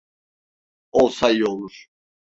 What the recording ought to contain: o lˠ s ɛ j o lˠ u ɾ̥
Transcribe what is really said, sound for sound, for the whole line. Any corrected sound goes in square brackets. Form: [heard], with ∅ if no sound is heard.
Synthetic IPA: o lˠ s [a] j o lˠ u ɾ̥